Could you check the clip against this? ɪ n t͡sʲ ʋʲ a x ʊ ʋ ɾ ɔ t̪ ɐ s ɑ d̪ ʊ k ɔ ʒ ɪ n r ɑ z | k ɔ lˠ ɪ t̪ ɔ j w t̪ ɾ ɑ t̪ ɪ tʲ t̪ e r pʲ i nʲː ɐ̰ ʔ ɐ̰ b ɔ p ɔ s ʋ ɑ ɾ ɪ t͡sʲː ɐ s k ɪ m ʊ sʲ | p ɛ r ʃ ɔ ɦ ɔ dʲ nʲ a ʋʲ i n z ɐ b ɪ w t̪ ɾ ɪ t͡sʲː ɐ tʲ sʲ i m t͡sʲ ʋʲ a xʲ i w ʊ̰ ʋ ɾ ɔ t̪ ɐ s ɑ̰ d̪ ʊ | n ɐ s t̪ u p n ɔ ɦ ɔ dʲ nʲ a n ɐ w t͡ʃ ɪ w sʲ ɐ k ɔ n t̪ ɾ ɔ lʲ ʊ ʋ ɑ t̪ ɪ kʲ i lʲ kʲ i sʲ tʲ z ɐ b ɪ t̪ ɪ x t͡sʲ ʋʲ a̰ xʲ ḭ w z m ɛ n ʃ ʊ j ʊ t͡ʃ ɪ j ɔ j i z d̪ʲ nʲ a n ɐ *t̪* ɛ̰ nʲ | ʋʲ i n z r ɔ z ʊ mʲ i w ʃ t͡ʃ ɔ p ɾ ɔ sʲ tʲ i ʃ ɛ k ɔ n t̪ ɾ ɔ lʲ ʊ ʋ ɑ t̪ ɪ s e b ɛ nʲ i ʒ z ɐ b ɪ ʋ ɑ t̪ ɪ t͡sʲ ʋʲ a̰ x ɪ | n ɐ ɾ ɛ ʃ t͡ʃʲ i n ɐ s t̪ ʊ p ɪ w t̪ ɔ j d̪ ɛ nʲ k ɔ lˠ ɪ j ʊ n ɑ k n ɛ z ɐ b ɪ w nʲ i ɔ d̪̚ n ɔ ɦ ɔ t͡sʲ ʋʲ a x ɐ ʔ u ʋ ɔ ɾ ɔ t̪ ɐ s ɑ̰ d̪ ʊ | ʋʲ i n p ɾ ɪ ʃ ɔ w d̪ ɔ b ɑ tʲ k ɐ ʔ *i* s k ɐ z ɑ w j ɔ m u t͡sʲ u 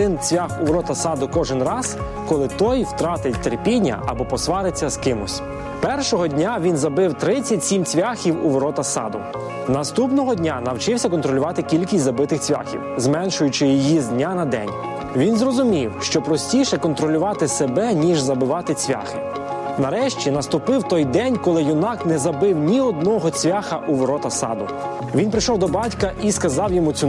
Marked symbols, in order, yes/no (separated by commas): no, yes